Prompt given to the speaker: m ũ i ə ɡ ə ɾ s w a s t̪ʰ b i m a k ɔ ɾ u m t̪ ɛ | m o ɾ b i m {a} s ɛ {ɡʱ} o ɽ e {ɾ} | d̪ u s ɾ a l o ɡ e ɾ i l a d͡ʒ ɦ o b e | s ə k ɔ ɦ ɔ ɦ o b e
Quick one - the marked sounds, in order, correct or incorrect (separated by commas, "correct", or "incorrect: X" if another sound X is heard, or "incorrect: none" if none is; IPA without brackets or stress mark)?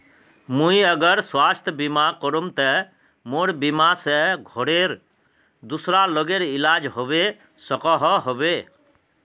correct, correct, correct